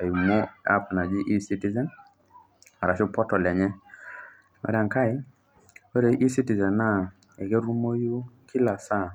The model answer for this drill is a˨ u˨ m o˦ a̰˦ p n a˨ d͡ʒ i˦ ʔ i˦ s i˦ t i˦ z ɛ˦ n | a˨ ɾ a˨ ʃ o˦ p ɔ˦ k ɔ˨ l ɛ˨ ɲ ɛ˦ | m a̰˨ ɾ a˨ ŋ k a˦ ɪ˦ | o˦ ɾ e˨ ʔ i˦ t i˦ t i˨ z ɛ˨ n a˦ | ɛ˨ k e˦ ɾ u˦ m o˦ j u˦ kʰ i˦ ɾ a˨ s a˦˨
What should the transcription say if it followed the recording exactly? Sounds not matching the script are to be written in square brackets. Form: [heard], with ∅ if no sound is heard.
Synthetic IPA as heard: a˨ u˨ m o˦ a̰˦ p n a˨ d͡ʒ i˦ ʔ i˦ s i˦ t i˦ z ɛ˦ n | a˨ ɾ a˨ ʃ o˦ p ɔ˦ [t] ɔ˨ l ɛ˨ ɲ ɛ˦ | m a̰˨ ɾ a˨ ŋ k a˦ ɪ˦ | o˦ ɾ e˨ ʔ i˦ [s] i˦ t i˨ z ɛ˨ n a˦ | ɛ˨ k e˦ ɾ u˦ m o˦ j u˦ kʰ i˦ [l] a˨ s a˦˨